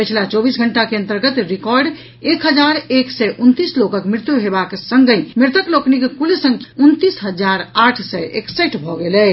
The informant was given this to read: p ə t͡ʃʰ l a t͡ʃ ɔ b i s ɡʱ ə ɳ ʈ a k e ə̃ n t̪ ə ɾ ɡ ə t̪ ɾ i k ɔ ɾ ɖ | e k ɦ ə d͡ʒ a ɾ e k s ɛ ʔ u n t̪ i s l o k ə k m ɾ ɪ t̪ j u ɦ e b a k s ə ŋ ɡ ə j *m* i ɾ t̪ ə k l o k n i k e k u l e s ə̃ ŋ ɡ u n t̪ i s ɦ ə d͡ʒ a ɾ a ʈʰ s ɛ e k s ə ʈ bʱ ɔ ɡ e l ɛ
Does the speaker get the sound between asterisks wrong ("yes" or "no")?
no